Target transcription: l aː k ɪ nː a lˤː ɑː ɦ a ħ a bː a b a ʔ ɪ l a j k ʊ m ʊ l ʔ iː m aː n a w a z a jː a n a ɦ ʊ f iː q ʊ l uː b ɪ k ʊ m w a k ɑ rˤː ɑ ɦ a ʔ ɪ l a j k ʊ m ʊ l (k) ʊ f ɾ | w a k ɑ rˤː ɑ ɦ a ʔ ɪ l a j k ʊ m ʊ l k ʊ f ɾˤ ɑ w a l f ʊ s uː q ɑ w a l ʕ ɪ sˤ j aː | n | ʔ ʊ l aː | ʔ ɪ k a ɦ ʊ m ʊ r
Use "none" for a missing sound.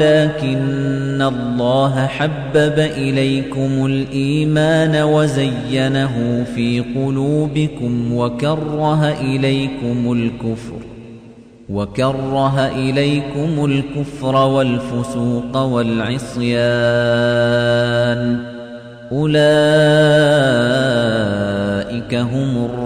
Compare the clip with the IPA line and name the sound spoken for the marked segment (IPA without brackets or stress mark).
k